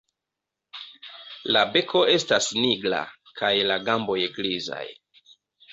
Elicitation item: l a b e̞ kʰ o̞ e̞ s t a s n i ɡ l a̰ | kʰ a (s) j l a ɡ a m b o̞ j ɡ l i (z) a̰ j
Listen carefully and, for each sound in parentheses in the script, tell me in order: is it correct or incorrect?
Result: incorrect: none, correct

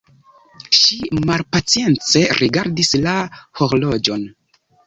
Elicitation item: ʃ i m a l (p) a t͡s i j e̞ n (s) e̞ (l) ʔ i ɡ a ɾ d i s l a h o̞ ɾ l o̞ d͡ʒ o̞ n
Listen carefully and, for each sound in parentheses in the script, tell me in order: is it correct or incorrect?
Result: correct, incorrect: t͡s, incorrect: ɾ

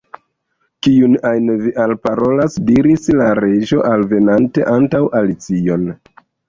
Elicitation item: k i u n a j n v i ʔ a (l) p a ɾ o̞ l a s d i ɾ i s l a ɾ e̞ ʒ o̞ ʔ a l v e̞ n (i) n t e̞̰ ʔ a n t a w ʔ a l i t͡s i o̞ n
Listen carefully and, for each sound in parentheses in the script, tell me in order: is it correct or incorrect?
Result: correct, incorrect: a

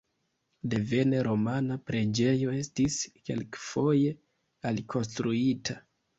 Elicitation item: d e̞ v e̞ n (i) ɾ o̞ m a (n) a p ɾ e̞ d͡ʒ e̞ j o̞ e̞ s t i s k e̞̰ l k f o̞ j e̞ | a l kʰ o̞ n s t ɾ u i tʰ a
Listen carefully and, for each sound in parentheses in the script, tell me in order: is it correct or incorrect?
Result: incorrect: e, correct

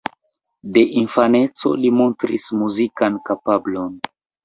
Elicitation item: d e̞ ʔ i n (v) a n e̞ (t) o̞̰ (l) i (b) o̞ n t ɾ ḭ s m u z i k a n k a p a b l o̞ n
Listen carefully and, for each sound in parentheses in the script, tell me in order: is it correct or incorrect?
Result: incorrect: f, incorrect: t͡s, correct, incorrect: m

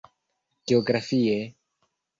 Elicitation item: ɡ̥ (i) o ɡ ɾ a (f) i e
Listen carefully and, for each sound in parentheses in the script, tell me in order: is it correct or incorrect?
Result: incorrect: e, correct

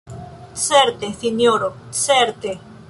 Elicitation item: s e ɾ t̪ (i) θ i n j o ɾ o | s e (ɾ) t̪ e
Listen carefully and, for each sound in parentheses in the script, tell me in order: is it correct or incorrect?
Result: incorrect: e, correct

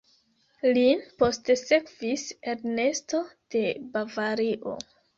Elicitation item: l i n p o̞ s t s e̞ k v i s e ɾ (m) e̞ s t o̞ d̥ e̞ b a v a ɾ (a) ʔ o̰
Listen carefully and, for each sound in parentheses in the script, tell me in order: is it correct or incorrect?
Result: incorrect: n, incorrect: i

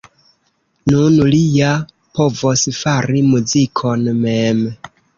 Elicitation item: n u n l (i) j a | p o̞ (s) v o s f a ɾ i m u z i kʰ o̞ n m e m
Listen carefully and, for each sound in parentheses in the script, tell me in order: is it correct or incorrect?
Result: correct, incorrect: none

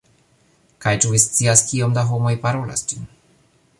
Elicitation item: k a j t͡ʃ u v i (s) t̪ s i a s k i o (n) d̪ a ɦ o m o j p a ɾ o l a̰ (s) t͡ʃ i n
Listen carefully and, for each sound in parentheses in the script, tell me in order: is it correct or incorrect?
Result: correct, incorrect: m, correct

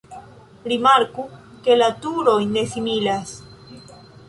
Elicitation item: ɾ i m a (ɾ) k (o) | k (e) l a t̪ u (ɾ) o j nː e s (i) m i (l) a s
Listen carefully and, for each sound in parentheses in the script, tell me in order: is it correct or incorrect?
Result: correct, incorrect: u, correct, correct, correct, correct

